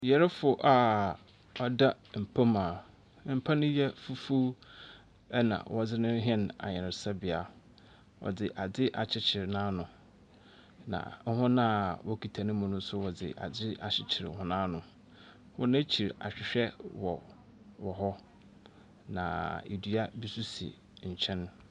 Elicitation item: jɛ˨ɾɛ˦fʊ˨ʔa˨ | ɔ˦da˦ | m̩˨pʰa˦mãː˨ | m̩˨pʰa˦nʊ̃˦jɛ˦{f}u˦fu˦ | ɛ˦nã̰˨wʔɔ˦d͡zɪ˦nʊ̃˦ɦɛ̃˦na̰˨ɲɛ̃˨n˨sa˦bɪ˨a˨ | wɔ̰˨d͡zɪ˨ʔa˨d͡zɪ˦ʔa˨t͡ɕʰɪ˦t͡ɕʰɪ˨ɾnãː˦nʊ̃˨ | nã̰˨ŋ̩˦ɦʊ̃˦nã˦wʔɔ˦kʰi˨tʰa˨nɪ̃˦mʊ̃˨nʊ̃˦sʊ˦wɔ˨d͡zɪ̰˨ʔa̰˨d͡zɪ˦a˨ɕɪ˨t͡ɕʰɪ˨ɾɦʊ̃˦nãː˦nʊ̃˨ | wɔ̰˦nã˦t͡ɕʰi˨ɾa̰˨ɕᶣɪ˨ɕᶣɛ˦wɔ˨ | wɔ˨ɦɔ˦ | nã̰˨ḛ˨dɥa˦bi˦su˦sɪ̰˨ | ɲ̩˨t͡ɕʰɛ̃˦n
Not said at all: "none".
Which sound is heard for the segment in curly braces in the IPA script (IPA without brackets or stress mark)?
f